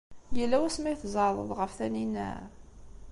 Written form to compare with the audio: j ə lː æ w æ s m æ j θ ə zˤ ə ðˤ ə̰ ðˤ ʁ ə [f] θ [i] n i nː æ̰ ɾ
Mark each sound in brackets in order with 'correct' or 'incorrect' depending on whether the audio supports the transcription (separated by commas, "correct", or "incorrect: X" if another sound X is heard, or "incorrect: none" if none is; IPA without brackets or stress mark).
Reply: correct, incorrect: æ